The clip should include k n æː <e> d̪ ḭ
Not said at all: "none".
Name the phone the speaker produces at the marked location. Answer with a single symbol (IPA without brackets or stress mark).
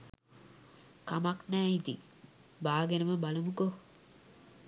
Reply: i